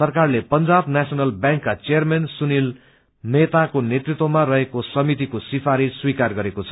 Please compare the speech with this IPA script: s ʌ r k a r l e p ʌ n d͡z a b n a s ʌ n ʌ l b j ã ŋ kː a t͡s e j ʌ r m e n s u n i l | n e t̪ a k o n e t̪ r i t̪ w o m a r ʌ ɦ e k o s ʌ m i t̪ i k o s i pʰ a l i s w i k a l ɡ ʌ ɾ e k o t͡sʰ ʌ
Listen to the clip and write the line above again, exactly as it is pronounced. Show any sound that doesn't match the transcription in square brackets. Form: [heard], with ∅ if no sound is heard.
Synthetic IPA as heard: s ʌ r k a r l e p ʌ n d͡z a b n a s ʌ n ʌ l b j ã ŋ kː a t͡s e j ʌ r m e n s u n i l | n e t̪ a k o n e t̪ r i t̪ w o m a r ʌ ɦ e k o s ʌ m i t̪ i k o s i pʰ a [ɾ] i s w i k a [r] ɡ ʌ ɾ e k o t͡sʰ ʌ